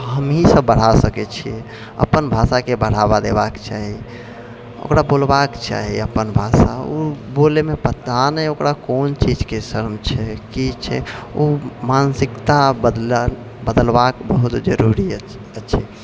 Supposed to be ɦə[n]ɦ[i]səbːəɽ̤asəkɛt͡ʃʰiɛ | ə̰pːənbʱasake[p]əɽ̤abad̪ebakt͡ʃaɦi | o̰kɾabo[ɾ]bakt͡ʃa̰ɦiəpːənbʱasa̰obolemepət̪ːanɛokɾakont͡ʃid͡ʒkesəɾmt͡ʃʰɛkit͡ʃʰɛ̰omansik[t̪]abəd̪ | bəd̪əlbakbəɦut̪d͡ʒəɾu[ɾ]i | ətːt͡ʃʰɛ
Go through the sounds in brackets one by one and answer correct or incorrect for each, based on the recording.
incorrect: m, correct, incorrect: b, incorrect: l, correct, correct

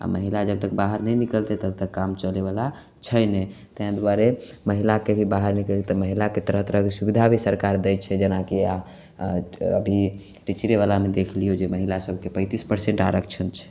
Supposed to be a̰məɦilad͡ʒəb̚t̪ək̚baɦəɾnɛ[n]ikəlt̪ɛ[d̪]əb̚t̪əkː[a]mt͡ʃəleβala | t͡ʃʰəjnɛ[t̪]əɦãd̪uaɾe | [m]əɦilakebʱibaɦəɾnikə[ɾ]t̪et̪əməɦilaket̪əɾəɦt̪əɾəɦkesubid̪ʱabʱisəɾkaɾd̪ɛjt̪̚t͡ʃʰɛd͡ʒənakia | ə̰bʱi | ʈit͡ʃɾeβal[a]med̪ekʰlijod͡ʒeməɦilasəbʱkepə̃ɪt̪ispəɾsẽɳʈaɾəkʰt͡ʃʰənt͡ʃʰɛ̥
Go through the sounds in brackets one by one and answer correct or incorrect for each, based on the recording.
correct, incorrect: t̪, correct, correct, correct, incorrect: l, correct

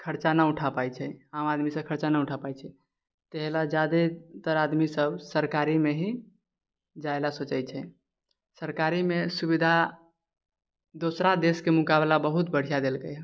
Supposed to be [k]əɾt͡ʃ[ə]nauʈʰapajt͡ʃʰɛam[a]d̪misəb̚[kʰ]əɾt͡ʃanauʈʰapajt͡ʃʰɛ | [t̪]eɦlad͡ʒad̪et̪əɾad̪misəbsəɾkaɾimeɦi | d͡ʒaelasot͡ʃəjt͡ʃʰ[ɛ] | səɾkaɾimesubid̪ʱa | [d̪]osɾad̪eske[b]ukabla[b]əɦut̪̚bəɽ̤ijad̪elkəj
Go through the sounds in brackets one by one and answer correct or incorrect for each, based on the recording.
incorrect: kʰ, incorrect: a, correct, correct, correct, correct, correct, incorrect: m, correct

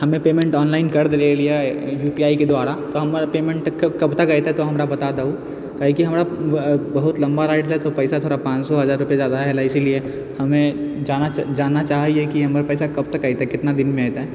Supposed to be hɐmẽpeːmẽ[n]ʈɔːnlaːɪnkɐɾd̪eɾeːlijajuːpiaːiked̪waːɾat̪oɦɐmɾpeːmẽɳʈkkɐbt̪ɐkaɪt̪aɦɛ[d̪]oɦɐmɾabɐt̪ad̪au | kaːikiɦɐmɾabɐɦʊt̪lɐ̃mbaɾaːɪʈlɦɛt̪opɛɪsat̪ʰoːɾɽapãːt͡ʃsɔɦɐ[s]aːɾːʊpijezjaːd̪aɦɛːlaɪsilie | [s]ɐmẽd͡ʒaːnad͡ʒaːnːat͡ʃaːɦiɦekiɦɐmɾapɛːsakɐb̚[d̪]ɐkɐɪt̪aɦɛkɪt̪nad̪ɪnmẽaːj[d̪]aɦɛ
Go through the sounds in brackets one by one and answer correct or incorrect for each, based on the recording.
incorrect: ɳ, incorrect: t̪, incorrect: z, incorrect: h, incorrect: t̪, incorrect: t̪

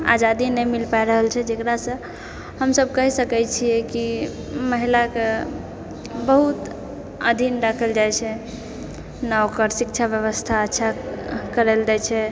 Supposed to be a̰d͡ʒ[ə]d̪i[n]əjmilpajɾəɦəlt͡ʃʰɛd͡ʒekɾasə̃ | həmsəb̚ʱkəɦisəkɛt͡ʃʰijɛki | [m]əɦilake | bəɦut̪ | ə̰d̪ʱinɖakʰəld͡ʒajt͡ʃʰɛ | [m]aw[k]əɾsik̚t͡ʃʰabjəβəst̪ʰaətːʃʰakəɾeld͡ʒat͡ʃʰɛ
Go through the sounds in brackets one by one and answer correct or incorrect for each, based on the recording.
incorrect: a, correct, correct, incorrect: n, correct

